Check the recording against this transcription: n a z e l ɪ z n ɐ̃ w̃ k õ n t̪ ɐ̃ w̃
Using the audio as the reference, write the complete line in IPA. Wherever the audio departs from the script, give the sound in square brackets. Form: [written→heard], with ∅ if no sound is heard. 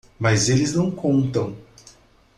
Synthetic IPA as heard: [n→m] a z e l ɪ z n ɐ̃ w̃ k õ n t̪ ɐ̃ w̃